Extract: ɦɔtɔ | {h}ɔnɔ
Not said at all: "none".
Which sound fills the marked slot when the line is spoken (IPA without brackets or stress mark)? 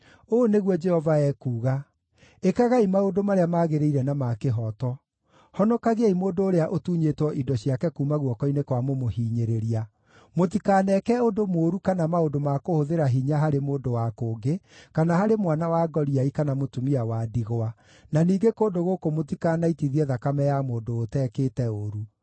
h